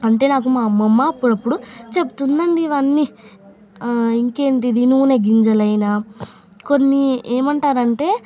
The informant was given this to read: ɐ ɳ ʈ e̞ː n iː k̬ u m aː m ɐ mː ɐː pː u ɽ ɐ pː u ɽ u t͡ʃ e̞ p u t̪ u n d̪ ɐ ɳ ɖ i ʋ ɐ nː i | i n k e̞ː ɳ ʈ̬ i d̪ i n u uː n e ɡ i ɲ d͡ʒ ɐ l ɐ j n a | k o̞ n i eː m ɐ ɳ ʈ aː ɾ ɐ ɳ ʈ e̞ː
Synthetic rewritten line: ɐ ɳ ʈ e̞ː n aː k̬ u m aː m ɐ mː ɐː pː u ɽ ɐ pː u ɽ u t͡ʃ e̞ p u t̪ u n d̪ ɐ ɳ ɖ i ʋ ɐ nː i | i ŋ k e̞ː ɳ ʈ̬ i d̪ i n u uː n e ɡ i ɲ d͡ʒ ɐ l ɐ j n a | k o̞ nː i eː m ɐ ɳ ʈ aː ɾ ɐ ɳ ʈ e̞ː